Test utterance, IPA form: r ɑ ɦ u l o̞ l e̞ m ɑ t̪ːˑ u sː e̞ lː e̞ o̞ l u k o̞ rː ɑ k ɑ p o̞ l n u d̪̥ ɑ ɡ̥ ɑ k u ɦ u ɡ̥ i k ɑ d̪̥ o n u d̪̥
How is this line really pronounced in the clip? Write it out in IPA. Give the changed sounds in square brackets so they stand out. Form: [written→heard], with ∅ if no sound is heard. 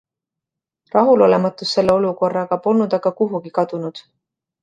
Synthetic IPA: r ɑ ɦ u l o̞ l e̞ m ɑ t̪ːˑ u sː e̞ lː e̞ o̞ l u k o̞ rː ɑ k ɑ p o̞ l n u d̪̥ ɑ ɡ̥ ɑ k u ɦ u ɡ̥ i k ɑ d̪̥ [o→u] n u d̪̥